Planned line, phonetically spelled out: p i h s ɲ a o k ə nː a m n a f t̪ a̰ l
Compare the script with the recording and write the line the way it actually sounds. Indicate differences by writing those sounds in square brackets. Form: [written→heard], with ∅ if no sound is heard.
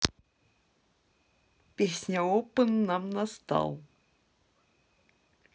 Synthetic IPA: p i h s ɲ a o [k→p] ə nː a m n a [f→s] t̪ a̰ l